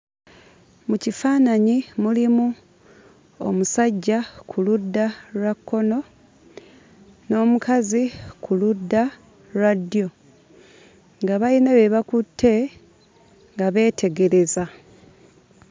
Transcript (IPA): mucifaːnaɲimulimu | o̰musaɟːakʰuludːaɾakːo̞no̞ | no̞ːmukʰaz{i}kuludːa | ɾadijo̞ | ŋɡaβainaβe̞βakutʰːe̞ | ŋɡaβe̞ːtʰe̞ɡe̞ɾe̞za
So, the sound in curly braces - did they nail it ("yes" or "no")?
yes